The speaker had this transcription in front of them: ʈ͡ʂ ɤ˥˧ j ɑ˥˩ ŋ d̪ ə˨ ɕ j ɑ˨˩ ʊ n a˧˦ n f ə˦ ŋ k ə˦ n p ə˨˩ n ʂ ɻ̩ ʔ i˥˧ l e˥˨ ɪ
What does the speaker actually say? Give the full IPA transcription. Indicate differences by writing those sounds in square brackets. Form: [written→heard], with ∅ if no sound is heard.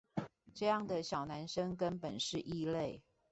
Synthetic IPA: ʈ͡ʂ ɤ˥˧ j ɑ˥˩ ŋ d̪ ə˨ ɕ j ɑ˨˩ ʊ n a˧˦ n [f→ʂ] ə˦ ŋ k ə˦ n p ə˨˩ n ʂ ɻ̩ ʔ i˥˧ l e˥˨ ɪ